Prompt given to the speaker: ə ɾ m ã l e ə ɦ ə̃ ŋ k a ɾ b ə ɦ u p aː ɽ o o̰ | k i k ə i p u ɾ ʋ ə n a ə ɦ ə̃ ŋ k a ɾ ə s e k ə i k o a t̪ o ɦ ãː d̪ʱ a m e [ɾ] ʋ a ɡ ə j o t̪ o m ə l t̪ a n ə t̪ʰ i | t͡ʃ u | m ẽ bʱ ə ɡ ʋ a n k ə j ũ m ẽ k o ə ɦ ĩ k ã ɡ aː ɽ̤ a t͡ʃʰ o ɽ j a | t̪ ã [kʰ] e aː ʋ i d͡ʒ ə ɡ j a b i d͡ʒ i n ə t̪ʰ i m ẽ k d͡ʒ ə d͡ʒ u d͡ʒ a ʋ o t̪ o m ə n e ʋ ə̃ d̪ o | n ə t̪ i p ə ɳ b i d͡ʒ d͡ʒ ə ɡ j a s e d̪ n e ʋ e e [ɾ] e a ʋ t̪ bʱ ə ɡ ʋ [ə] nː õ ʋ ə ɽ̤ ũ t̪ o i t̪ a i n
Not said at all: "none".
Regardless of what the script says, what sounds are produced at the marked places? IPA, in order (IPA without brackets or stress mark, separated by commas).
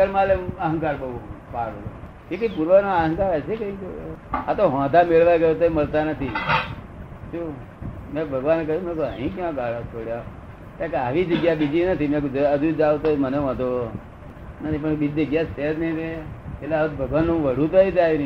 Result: ɭ, k, l, a